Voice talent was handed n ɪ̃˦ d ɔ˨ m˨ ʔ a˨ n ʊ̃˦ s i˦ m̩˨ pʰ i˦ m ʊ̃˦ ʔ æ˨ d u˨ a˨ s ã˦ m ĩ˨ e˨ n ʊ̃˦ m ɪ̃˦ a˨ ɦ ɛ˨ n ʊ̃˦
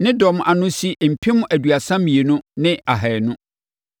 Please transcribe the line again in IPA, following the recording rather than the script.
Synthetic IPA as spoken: n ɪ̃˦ d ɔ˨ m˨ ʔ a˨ n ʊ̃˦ s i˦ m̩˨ pʰ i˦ m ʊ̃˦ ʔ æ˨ d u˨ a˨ s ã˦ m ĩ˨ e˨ n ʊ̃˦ n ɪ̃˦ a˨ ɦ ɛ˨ n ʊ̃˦

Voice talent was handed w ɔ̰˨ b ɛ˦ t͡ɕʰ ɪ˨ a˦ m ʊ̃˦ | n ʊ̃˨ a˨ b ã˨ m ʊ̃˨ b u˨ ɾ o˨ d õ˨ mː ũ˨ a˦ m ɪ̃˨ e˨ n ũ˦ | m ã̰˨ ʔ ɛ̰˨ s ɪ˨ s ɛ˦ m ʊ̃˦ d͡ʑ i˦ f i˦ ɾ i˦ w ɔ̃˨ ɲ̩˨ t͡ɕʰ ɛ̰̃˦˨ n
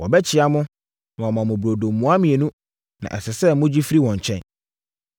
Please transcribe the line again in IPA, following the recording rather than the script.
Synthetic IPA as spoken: w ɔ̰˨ b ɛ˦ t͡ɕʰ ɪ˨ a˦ m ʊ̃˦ | n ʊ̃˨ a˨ m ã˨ m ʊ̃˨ b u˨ ɾ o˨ d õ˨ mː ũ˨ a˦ m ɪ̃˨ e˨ n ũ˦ | n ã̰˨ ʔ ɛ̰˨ s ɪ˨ s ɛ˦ m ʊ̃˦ d͡ʑ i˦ f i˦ ɾ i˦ w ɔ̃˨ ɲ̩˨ t͡ɕʰ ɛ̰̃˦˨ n

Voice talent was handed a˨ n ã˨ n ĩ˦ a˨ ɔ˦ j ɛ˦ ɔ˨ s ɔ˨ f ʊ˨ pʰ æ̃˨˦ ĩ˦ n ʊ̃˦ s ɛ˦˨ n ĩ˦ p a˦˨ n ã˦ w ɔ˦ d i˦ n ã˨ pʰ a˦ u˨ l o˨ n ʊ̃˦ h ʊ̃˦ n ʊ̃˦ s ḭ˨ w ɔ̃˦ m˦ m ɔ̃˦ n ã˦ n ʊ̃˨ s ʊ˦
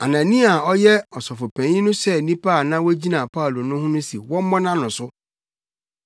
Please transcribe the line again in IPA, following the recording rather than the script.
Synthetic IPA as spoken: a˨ n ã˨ n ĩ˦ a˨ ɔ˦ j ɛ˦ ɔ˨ s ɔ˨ f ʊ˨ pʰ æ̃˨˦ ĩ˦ n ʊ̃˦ s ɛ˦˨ n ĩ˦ p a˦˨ n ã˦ w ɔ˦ d͡ʑ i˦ n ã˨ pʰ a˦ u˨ l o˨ n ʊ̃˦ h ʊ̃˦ n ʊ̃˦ s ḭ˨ w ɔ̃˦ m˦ m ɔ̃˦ n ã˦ n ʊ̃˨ s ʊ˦

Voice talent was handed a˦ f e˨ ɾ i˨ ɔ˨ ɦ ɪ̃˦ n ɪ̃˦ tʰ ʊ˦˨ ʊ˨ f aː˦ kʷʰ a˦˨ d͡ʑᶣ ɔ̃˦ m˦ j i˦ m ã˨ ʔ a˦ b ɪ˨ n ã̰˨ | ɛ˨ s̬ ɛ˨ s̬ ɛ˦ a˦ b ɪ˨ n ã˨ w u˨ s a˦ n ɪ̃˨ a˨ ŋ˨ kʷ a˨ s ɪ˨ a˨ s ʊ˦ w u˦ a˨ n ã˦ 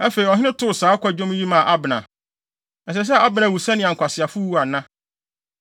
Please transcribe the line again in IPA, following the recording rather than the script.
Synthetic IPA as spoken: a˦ f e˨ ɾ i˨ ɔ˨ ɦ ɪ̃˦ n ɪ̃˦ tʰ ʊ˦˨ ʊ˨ s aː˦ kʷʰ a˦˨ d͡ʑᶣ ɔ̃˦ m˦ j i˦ m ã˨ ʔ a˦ b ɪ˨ n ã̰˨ | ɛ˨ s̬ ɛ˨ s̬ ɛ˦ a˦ b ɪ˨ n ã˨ w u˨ s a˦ n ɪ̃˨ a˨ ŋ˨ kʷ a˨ s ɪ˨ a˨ f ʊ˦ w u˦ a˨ n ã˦

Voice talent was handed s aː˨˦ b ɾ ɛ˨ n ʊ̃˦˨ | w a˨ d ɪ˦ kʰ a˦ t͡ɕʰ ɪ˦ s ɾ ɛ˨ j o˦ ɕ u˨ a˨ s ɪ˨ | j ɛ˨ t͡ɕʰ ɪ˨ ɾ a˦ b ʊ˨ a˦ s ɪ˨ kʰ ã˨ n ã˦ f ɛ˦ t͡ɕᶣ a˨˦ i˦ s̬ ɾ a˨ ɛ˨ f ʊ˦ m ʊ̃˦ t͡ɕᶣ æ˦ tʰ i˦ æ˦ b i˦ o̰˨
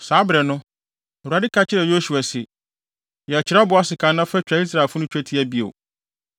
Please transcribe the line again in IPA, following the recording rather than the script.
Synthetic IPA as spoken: s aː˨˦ b ɾ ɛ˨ n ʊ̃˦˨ | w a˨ d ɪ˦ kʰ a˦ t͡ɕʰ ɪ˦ ɾ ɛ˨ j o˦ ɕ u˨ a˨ s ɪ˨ | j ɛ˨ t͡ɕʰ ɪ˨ ɾ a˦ b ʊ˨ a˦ s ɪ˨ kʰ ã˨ n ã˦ f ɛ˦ t͡ɕᶣ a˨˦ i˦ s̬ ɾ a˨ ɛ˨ f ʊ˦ n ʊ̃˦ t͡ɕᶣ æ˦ tʰ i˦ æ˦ b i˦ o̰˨

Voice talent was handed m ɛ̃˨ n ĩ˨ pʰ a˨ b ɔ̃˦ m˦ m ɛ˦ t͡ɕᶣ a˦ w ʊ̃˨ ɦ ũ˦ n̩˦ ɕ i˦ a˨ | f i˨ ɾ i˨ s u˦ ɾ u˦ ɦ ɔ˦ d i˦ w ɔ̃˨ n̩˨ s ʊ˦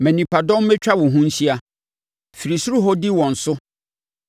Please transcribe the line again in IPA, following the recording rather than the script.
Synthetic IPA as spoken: m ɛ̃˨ n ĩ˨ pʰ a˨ d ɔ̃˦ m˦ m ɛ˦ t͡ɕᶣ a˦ w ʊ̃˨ ɦ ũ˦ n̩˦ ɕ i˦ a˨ | f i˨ ɾ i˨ s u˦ ɾ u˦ ɦ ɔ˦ d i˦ w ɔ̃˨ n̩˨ s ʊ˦

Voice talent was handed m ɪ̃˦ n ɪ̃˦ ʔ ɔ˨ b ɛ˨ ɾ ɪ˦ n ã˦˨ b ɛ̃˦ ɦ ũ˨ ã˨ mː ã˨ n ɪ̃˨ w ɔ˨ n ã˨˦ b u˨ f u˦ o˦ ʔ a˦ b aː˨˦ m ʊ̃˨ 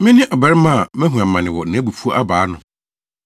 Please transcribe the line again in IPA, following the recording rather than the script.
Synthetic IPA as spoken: m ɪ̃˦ n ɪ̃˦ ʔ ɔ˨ b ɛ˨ ɾ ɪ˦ m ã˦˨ m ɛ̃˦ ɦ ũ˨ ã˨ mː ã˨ n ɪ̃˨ w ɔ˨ n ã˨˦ b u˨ f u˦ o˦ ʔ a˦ b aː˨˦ n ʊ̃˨

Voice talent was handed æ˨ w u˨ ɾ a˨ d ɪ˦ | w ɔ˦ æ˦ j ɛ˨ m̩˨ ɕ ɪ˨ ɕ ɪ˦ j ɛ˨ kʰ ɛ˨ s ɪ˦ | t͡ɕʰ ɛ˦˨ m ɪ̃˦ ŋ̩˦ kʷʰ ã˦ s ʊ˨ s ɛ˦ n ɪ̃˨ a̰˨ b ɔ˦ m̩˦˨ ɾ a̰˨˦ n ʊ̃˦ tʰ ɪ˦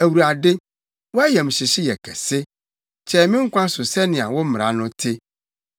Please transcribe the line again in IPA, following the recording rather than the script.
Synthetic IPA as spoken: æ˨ w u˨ ɾ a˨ d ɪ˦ | w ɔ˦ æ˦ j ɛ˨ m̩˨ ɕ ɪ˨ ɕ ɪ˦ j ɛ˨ kʰ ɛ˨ s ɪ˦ | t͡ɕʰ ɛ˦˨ m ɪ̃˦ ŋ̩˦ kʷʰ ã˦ s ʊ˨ s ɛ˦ n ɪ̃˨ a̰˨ w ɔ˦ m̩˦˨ ɾ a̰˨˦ n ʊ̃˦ tʰ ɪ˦

